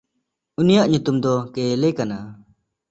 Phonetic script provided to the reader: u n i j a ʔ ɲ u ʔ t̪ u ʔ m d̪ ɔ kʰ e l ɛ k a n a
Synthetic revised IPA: u n i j a ʔ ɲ u t̪ u m d̪ ɔ k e l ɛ k a n a